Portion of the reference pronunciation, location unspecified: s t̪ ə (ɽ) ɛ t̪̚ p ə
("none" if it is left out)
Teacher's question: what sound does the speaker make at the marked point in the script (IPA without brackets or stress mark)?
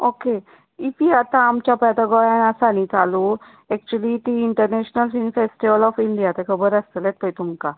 l